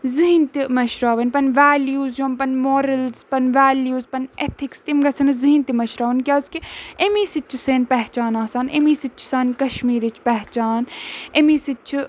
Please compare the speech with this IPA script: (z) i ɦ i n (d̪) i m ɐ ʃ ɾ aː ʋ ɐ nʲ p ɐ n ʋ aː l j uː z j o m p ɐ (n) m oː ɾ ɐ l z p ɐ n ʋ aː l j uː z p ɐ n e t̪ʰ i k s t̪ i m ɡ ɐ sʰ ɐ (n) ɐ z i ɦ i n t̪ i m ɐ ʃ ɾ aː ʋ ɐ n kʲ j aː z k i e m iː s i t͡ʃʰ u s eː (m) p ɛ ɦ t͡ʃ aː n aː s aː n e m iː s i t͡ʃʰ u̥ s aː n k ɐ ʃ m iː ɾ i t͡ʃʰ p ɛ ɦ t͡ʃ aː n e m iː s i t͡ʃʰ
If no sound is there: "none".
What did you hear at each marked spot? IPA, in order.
z, t̪, n, n, n

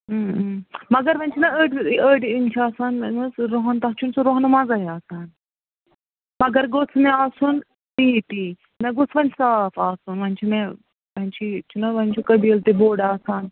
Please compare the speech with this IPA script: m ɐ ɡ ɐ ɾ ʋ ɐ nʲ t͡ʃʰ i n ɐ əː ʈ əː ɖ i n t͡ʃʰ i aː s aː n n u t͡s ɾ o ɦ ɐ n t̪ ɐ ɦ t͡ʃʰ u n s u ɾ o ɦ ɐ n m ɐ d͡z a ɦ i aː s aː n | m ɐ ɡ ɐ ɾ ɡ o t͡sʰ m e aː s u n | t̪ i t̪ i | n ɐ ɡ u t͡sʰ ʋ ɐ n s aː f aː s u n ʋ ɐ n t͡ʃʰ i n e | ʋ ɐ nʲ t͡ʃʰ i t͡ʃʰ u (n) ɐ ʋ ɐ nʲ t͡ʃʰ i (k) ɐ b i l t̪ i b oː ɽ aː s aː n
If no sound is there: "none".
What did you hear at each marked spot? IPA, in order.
n, k

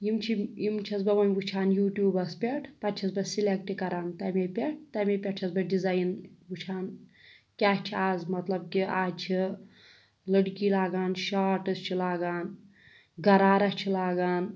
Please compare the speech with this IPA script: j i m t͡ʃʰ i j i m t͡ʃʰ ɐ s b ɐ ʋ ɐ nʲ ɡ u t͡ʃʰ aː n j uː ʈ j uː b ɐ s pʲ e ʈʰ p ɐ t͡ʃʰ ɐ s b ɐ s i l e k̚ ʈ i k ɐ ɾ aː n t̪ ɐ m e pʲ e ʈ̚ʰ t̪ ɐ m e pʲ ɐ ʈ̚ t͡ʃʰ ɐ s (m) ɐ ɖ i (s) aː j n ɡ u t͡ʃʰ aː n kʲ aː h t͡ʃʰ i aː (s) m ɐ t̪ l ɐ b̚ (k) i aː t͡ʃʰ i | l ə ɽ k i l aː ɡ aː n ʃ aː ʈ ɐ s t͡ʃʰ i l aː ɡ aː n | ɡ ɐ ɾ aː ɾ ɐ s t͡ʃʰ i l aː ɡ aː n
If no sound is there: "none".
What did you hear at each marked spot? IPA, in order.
b, z, z, k

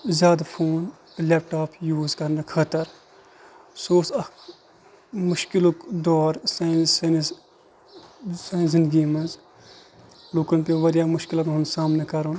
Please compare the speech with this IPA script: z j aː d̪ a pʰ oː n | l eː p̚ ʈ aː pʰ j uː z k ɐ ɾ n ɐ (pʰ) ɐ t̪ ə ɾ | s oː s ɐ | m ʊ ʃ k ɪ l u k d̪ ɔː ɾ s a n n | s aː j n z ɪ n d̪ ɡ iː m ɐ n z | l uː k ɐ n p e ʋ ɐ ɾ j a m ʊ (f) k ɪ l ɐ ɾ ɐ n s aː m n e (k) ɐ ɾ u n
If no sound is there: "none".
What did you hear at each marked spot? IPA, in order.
kʰ, ʃ, k

